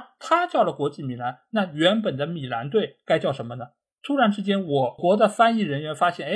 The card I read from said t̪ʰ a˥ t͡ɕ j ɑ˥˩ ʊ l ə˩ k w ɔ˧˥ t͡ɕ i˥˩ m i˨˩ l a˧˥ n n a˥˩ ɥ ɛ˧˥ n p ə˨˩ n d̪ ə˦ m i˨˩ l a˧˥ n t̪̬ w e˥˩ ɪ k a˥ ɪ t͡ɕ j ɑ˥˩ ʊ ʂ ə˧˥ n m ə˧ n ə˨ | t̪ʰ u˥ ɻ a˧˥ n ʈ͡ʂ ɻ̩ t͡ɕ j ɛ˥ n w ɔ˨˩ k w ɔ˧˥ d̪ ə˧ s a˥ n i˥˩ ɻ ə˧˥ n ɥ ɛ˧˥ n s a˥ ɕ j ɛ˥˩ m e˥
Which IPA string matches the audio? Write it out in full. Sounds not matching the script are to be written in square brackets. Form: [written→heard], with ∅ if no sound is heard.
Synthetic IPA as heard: t̪ʰ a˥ t͡ɕ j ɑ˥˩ ʊ l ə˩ k w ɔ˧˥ t͡ɕ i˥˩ m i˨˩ l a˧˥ n n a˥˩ ɥ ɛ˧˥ n p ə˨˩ n d̪ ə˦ m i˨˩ l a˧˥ n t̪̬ w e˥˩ ɪ k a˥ ɪ t͡ɕ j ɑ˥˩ ʊ ʂ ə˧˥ n m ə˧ n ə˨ | t̪ʰ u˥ ɻ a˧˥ n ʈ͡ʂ ɻ̩ t͡ɕ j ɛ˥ n w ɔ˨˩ k w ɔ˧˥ d̪ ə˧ [s→f] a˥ n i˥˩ ɻ ə˧˥ n ɥ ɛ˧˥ n [s→f] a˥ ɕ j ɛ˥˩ [m→n] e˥